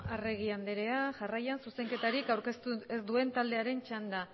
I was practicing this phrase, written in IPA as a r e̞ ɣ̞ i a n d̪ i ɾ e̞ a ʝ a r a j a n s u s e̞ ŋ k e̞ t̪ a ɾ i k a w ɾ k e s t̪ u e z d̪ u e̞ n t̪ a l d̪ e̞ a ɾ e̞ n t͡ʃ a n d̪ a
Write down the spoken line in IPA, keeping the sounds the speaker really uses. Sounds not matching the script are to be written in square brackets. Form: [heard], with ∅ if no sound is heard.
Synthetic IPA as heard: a r e̞ ɣ̞ i a n d̪ [e] ɾ e̞ a ʝ a r a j a n s u s e̞ ŋ k e̞ t̪ a ɾ i k a w ɾ k e s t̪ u e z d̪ u e̞ n t̪ a l d̪ e̞ a ɾ e̞ n t͡ʃ a n d̪ a